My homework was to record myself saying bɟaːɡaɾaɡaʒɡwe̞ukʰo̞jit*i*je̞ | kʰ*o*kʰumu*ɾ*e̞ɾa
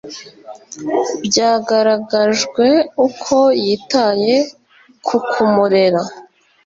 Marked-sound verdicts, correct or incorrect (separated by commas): incorrect, incorrect, correct